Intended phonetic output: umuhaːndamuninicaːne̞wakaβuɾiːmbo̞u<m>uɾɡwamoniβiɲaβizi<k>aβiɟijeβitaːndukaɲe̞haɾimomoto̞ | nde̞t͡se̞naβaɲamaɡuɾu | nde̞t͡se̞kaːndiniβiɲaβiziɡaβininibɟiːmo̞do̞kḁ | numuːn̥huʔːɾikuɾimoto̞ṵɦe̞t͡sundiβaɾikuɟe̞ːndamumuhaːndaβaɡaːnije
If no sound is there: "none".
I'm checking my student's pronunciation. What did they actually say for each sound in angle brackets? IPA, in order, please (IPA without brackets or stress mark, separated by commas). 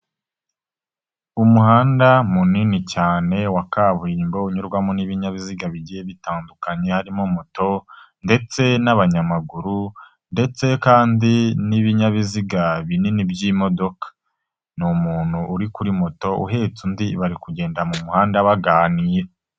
ɲ, ɡ